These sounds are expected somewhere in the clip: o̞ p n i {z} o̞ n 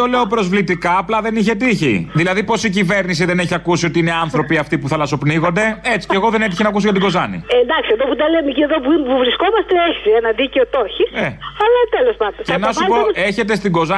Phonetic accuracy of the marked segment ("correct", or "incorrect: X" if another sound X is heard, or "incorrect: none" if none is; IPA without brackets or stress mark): incorrect: ɣ